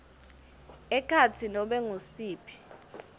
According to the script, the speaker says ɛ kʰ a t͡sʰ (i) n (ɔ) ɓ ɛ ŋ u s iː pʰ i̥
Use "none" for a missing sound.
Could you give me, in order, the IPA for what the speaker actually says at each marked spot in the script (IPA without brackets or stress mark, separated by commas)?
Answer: i, ɔ